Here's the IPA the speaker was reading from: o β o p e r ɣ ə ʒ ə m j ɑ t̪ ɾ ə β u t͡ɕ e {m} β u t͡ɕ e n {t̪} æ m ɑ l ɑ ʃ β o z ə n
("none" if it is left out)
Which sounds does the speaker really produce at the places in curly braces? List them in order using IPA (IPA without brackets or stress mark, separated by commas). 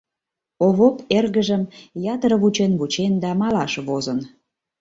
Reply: n, d̪